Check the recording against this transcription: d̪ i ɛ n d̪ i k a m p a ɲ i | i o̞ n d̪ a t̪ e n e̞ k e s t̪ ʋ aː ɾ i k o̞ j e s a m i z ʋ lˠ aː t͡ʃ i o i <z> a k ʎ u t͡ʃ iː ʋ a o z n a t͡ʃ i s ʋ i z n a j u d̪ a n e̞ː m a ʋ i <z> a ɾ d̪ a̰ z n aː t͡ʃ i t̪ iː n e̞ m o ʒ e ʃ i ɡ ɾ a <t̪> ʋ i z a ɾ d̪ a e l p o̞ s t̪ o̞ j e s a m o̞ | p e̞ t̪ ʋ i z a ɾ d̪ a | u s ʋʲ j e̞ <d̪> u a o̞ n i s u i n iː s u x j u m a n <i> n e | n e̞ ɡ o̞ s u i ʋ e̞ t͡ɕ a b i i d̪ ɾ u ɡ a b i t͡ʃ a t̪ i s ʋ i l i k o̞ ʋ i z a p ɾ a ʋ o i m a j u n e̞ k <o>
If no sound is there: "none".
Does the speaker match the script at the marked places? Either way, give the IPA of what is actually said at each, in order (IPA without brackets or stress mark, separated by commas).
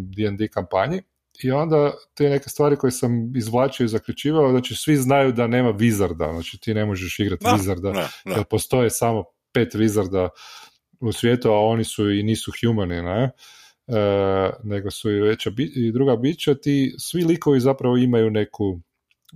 z, z, t̪, t̪, i, u